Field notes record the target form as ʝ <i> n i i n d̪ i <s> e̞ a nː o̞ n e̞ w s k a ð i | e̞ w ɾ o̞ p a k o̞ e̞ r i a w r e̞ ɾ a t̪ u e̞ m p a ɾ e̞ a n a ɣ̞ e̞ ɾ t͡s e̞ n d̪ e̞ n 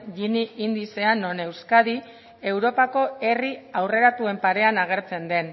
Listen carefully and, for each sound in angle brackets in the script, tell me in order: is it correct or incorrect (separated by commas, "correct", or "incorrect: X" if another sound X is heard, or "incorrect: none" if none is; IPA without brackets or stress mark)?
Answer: correct, correct